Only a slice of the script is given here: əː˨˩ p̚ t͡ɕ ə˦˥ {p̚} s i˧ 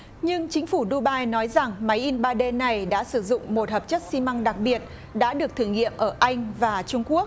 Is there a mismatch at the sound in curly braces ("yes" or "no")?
yes